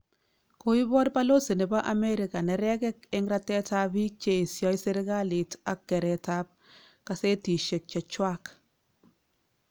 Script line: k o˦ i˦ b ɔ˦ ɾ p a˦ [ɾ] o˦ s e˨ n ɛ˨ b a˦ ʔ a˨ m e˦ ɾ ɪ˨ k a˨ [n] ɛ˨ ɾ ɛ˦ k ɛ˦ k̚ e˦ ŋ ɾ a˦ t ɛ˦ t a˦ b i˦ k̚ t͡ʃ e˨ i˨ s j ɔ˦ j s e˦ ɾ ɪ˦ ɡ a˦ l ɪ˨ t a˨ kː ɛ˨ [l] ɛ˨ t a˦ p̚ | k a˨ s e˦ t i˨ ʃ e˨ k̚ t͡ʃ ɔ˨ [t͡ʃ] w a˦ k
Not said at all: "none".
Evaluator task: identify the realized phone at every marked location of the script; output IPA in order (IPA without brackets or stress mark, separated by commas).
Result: l, n, ɾ, t͡ʃ